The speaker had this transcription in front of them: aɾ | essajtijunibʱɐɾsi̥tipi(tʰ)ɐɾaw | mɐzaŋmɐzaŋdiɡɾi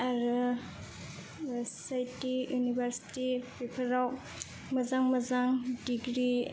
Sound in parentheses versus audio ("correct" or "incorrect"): incorrect